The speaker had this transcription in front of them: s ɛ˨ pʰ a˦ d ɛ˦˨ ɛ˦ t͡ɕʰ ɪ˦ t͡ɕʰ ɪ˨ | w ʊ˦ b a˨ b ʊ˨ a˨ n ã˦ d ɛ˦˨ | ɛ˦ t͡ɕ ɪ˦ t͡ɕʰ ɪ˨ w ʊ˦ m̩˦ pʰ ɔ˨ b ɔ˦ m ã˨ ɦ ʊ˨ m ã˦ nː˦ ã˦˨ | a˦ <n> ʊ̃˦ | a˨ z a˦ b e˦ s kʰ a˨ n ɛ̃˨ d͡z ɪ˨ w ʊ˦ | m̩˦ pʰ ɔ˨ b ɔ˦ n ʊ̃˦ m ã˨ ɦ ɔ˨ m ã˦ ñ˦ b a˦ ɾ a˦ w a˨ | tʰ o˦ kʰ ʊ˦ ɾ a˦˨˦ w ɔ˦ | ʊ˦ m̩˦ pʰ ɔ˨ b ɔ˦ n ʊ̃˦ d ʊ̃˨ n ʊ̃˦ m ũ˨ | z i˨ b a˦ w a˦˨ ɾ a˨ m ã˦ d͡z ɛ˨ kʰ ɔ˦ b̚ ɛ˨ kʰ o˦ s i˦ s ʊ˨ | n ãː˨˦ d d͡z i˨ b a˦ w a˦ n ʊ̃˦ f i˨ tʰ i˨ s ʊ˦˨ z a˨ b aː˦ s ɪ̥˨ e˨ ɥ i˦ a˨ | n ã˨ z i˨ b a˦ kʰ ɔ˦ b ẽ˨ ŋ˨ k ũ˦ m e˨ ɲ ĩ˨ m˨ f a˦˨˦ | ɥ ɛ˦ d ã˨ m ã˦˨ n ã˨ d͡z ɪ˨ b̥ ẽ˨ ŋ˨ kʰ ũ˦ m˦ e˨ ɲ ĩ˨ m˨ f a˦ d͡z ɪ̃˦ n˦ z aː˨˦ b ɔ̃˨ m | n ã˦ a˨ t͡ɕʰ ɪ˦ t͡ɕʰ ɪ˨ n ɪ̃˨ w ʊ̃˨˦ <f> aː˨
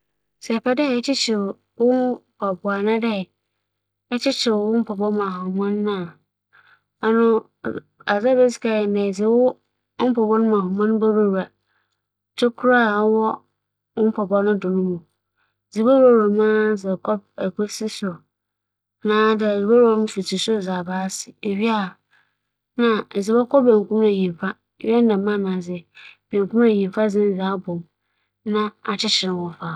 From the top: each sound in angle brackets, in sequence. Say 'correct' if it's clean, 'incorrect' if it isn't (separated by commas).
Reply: correct, correct